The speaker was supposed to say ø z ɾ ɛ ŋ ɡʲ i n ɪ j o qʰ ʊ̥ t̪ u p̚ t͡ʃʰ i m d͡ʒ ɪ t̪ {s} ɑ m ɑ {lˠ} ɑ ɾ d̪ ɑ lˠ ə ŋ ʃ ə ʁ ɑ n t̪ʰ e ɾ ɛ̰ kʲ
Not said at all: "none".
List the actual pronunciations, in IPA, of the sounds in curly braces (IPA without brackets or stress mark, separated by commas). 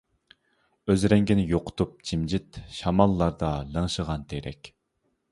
ʃ, lˠː